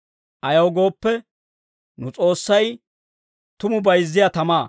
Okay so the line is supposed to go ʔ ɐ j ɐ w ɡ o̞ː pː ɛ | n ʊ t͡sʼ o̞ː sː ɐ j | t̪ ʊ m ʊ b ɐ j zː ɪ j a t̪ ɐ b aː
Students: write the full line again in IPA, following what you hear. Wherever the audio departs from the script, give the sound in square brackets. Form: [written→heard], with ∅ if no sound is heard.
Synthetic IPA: ʔ ɐ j ɐ w ɡ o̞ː pː ɛ | n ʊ t͡sʼ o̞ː sː ɐ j | t̪ ʊ m ʊ b ɐ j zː ɪ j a t̪ ɐ [b→m] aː